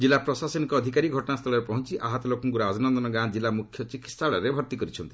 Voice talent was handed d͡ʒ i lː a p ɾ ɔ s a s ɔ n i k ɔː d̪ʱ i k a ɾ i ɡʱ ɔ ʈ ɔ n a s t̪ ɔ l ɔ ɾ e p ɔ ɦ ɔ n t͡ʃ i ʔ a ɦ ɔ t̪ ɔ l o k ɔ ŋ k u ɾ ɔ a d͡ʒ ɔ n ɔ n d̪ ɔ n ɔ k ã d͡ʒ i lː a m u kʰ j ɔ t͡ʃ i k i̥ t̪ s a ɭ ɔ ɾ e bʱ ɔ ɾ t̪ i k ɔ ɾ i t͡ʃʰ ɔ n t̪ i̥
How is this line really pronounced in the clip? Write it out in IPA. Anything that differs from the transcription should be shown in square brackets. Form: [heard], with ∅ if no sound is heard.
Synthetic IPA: d͡ʒ i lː a p ɾ ɔ s a s ɔ n i k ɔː d̪ʱ i k a ɾ i ɡʱ ɔ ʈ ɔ n a s [t̪ʰ] ɔ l ɔ ɾ e p ɔ ɦ ɔ n t͡ʃ i ʔ a ɦ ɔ t̪ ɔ l o k ɔ ŋ k u ɾ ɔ a d͡ʒ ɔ n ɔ n d̪ ɔ n ɔ [ɡ] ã d͡ʒ i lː a m u kʰ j ɔ t͡ʃ i k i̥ t̪ s a ɭ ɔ ɾ e bʱ ɔ ɾ t̪ i k ɔ ɾ i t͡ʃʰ ɔ n t̪ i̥